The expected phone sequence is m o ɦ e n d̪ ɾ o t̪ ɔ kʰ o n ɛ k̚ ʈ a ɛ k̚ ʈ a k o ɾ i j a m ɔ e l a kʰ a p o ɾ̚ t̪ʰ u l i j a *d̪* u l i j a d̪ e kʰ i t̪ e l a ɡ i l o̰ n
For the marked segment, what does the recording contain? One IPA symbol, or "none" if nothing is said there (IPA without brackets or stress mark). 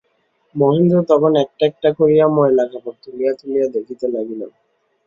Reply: t̪